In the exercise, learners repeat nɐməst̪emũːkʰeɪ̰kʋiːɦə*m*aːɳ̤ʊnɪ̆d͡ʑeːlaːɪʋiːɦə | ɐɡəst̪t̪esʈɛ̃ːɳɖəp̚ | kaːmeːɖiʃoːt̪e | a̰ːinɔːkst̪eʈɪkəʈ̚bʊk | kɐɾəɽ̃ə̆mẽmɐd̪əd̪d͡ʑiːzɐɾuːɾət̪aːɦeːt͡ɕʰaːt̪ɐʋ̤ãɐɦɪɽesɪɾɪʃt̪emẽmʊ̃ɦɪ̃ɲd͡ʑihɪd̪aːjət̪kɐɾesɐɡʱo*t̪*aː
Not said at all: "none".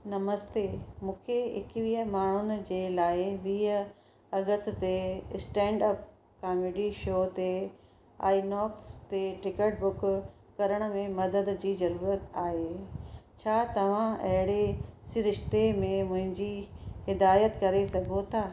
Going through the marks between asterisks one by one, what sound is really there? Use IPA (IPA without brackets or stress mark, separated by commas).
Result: m, t̪ʰ